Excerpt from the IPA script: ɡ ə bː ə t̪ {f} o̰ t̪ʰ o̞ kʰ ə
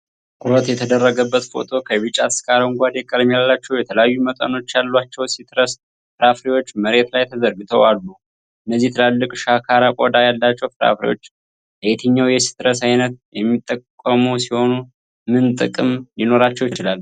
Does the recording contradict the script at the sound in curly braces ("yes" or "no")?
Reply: no